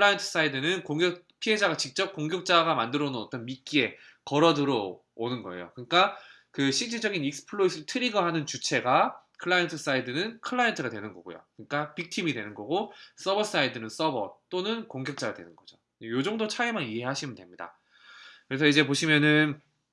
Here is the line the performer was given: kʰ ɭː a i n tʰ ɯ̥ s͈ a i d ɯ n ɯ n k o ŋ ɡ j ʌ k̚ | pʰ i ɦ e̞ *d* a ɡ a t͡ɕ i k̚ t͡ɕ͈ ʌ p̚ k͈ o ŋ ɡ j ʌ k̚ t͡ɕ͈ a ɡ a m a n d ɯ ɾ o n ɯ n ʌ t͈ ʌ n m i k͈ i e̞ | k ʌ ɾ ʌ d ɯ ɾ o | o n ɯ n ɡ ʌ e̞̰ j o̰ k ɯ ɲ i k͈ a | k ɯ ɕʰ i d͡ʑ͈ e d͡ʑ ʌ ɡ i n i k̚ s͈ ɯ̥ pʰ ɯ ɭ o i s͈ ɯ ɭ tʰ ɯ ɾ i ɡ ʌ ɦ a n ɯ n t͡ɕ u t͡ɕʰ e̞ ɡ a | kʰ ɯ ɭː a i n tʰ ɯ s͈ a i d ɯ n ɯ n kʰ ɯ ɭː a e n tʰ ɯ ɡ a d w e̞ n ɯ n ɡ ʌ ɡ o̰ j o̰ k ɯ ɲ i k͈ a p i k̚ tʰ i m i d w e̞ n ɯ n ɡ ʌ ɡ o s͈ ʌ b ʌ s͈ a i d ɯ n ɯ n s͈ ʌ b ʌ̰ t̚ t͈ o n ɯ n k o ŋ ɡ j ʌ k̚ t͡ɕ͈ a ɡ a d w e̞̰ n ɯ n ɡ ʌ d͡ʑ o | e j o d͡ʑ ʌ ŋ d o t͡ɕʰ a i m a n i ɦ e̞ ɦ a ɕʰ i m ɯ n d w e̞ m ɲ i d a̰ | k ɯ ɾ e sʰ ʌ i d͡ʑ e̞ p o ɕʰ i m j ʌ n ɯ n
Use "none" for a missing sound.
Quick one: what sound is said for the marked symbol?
d͡ʑ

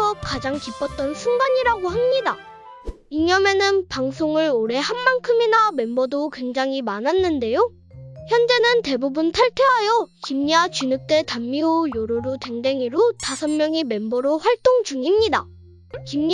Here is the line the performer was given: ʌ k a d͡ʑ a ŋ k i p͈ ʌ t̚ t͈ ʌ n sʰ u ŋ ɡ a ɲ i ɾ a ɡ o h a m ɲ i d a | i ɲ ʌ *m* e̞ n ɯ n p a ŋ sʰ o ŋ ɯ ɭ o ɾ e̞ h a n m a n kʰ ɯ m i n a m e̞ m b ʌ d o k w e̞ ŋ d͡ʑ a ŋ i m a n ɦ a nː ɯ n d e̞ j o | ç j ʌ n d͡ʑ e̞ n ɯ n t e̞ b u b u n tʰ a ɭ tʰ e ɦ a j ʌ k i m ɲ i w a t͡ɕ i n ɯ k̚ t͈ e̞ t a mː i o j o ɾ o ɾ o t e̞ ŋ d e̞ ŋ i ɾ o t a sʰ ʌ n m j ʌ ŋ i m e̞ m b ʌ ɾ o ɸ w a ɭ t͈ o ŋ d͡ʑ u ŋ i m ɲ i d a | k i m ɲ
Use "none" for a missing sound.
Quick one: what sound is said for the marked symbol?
m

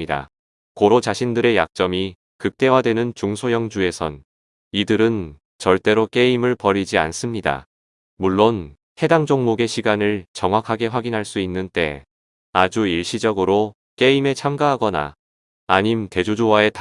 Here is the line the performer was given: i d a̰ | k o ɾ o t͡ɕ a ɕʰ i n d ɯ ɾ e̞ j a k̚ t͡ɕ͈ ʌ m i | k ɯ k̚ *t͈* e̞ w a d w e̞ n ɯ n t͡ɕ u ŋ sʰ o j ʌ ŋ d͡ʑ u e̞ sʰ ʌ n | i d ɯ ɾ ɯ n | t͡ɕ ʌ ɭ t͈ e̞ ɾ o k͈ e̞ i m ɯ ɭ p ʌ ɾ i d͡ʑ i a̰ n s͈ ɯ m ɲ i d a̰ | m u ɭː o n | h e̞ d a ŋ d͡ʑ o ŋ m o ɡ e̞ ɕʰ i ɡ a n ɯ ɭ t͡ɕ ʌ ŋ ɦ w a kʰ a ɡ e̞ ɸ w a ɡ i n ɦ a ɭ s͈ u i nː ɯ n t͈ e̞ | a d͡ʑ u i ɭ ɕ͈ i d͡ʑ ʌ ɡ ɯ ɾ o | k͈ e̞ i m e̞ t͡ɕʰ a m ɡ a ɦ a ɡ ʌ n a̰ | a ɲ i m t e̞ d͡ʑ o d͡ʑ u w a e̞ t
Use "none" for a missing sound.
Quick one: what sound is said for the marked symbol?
t͈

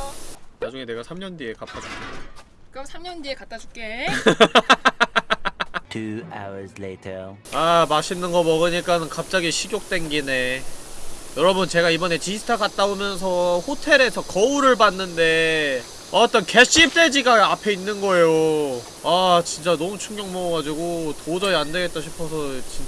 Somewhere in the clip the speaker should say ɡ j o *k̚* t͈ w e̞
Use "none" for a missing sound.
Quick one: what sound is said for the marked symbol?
k̚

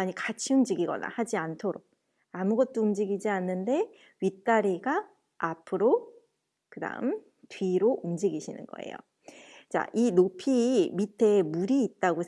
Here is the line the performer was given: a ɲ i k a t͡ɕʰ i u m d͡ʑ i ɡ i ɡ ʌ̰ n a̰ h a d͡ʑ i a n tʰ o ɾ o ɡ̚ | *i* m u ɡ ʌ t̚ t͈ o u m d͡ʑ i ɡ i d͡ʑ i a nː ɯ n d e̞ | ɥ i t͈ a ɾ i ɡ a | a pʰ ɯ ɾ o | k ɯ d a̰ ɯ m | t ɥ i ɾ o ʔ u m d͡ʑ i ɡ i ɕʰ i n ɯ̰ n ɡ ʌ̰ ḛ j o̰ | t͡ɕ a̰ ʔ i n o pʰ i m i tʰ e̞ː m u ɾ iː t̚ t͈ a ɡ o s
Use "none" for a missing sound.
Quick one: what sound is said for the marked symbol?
a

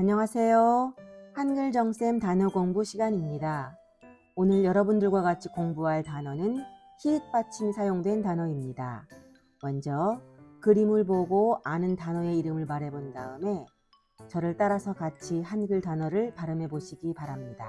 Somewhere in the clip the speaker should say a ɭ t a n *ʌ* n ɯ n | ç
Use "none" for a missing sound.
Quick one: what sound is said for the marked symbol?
ʌ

